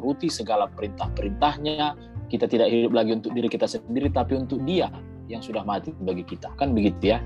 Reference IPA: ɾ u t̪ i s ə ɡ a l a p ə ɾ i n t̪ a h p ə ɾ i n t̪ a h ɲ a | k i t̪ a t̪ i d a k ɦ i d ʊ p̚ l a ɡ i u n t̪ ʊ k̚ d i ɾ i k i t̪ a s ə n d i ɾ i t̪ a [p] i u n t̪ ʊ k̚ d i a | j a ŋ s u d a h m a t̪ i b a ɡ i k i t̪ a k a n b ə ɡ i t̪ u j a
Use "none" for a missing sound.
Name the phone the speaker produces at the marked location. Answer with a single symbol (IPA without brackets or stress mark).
p